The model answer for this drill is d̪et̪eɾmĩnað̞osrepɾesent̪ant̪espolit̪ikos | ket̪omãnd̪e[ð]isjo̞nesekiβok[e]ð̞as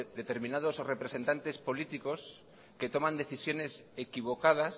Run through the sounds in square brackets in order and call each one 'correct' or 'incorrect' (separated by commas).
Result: incorrect, incorrect